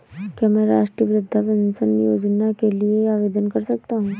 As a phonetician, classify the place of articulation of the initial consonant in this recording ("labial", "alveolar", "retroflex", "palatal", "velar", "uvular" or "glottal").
velar